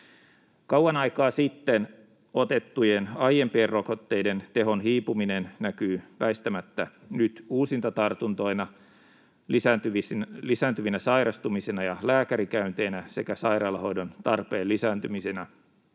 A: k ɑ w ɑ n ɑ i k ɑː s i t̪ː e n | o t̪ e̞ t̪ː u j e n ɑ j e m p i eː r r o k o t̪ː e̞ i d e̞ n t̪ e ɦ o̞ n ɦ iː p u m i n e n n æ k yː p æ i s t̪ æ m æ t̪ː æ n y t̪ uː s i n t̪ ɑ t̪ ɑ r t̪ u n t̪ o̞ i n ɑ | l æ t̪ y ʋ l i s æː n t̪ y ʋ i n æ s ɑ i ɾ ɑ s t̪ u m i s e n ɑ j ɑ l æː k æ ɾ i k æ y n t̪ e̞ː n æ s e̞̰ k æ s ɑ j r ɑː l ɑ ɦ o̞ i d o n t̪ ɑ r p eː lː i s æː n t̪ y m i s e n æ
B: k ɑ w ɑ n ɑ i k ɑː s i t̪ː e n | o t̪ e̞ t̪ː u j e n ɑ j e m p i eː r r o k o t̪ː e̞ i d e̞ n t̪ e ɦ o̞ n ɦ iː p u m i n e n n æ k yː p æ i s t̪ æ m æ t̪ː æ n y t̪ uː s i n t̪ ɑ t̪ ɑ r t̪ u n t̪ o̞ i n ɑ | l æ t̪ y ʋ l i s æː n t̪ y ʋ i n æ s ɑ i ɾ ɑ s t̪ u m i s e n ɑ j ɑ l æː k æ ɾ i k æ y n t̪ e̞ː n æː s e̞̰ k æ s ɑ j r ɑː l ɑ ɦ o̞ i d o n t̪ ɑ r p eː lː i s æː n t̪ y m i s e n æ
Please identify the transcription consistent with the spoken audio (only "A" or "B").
A